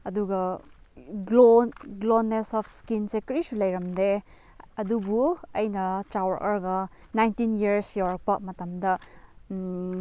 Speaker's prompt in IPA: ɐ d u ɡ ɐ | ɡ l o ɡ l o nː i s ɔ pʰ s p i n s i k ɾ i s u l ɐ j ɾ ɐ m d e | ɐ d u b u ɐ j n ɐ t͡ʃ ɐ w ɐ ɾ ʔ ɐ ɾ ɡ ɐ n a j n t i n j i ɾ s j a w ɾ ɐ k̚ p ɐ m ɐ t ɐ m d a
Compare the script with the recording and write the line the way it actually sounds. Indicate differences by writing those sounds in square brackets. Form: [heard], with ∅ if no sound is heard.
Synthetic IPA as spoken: ɐ d u ɡ ɐ | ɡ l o ɡ l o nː [e] s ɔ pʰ s [k] i n s [e] k ɾ i s u l ɐ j ɾ ɐ m d e | ɐ d u b u ɐ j n ɐ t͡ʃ [a] w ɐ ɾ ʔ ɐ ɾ ɡ ɐ n a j n t i n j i ɾ s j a w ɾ ɐ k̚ p ɐ m ɐ t ɐ m d [ɐ]

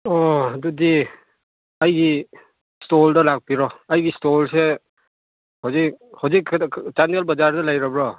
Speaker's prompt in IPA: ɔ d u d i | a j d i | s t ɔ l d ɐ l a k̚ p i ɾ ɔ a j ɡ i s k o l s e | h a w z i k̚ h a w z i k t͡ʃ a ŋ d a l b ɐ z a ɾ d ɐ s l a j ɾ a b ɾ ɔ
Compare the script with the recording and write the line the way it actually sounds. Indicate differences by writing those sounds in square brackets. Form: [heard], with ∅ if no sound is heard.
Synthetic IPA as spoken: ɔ d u d i | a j [ɡ] i | s t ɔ l d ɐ l a k̚ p i ɾ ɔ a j ɡ i s [t] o l s e | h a w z i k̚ h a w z i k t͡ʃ a [n] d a l b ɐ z a ɾ d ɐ [∅] l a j ɾ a b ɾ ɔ

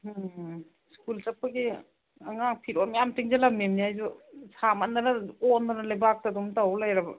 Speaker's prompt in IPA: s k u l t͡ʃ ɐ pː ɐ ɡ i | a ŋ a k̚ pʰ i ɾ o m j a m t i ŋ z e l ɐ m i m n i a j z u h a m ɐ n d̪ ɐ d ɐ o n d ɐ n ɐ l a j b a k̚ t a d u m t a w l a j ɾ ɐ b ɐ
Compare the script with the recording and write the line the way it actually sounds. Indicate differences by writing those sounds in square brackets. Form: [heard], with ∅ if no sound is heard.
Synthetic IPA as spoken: s k u l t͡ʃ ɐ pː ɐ ɡ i | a ŋ a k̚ pʰ i ɾ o m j a m t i ŋ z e l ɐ m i m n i a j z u [s] a m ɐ n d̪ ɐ [n] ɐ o n d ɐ n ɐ l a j b a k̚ t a d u m t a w l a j ɾ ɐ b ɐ

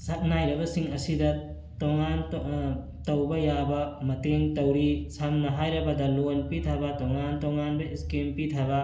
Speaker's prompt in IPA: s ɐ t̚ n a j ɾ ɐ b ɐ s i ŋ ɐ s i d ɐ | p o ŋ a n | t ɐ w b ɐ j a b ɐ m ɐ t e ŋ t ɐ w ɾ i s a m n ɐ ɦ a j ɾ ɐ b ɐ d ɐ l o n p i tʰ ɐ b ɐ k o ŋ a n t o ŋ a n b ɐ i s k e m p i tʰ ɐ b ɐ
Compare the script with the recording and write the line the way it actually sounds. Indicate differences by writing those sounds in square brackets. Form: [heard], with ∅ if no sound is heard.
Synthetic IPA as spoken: s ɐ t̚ n a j ɾ ɐ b ɐ s i ŋ ɐ s i d ɐ | [t] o ŋ a n | t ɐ w b ɐ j a b ɐ m ɐ t e ŋ t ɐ w ɾ i s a m n ɐ ɦ a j ɾ ɐ b ɐ d ɐ l o n p i tʰ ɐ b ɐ [t] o ŋ a n t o ŋ a n b ɐ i s k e m p i tʰ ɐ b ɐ

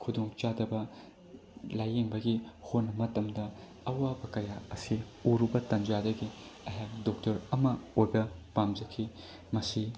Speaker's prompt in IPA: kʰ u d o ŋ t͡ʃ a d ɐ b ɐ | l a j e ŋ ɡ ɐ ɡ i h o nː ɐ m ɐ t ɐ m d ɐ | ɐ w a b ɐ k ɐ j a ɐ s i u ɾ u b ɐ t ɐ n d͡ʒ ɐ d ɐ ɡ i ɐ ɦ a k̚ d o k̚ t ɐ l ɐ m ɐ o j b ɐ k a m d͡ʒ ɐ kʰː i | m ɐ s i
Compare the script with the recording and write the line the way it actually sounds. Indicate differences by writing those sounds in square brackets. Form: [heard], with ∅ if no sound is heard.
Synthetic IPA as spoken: kʰ u d o ŋ t͡ʃ a d ɐ b ɐ | l a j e ŋ [b] ɐ ɡ i h o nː ɐ m ɐ t ɐ m d ɐ | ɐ w a b ɐ k ɐ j a ɐ s i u ɾ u b ɐ t ɐ n d͡ʒ [a] d ɐ ɡ i ɐ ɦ a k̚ d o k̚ t ɐ [ɾ] ɐ m ɐ o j b ɐ [p] a m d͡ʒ ɐ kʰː i | m ɐ s i

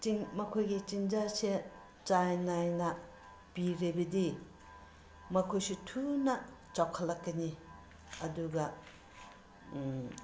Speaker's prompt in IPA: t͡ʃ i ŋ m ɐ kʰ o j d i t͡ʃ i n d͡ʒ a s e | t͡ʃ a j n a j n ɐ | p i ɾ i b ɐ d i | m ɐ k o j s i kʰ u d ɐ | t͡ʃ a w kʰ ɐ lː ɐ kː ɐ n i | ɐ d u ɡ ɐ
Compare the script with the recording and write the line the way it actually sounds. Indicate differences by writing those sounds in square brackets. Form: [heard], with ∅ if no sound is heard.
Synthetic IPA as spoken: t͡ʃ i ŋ m ɐ kʰ o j [ɡ] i t͡ʃ i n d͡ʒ a s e | t͡ʃ a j n a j n ɐ | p i ɾ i b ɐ d i | m ɐ [kʰ] o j s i [tʰ] u [n] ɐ | t͡ʃ a w kʰ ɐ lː ɐ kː ɐ n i | ɐ d u ɡ ɐ

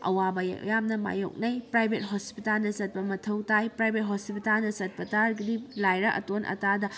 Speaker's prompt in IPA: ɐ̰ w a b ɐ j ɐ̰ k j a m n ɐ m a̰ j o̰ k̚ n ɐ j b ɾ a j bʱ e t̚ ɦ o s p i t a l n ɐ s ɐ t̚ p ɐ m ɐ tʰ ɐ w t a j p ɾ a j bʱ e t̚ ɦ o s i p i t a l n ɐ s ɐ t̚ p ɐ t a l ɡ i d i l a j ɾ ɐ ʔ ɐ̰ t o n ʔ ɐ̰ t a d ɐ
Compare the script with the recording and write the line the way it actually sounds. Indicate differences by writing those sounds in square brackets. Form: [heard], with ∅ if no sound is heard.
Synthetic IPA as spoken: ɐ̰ w a b ɐ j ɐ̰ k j a m n ɐ m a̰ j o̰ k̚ n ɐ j [p] ɾ a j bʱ e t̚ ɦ o s p i t a l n ɐ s ɐ t̚ p ɐ m ɐ tʰ ɐ w t a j p ɾ a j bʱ e t̚ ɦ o s i p i t a l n ɐ s ɐ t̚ p ɐ t a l ɡ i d i l a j ɾ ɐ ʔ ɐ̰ t o n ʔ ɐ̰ t a d ɐ

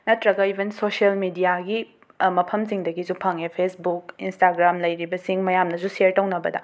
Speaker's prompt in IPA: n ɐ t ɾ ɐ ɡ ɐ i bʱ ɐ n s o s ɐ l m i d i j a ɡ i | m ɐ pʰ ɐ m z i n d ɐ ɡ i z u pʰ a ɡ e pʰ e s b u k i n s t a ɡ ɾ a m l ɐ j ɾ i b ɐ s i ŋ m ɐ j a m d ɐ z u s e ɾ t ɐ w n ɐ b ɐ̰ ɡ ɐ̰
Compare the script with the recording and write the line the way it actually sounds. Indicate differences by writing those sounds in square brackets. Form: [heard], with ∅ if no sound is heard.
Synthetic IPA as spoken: n ɐ t ɾ ɐ ɡ ɐ i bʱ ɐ n s o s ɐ l m i d i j a ɡ i | m ɐ pʰ ɐ m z i [ŋ] d ɐ ɡ i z u pʰ a [ŋ] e pʰ e s b u k i n s t a ɡ ɾ a m l ɐ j ɾ i b ɐ s i ŋ m ɐ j a m [n] ɐ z u s e ɾ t ɐ w n ɐ b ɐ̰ [d] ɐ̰

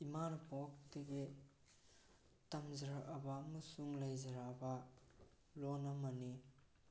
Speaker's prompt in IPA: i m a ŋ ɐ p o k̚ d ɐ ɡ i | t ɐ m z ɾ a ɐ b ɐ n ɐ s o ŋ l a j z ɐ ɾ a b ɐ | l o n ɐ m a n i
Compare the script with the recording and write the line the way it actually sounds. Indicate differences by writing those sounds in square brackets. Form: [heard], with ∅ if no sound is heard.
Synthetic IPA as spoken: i m a [n] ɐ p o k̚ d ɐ ɡ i | t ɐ m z ɾ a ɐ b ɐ [m] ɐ s [u] ŋ l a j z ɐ ɾ a b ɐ | l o n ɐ m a n i

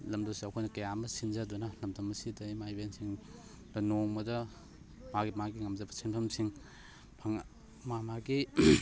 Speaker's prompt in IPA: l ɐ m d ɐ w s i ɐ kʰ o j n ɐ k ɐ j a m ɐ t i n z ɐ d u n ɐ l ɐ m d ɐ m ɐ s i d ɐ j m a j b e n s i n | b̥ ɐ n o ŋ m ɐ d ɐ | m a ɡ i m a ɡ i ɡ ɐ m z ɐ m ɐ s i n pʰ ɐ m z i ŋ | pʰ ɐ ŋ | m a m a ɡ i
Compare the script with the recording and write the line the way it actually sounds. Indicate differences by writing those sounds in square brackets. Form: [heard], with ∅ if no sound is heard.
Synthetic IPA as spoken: l ɐ m d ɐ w s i ɐ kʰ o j n ɐ k ɐ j a m ɐ [s] i n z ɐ d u n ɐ l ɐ m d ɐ m ɐ s i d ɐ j m a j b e n s i [ŋ] | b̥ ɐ n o ŋ m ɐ d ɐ | m a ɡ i m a ɡ i [ŋ] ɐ m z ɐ [b] ɐ s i n pʰ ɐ m [s] i ŋ | pʰ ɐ ŋ | m a m a ɡ i

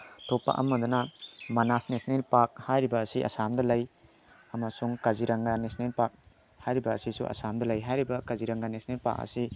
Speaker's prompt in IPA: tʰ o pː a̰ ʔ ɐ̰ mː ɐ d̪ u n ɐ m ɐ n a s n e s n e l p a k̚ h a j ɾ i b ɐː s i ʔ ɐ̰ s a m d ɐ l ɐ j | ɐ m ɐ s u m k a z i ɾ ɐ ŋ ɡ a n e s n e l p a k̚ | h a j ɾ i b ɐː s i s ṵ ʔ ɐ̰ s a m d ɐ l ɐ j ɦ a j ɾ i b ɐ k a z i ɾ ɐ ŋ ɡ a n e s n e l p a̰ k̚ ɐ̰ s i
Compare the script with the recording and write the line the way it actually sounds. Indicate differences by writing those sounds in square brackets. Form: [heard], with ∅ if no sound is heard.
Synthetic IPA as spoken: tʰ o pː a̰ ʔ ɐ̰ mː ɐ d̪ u n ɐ m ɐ n a s n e s n e l p a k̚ h a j ɾ i b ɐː s i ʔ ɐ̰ s a m d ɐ l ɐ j | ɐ m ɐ s u [ŋ] k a z i ɾ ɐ ŋ ɡ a n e s n e l p a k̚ | h a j ɾ i b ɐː s i s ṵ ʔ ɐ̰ s a m d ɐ l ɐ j ɦ a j ɾ i b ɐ k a z i ɾ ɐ ŋ ɡ a n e s n e l p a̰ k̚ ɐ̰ s i

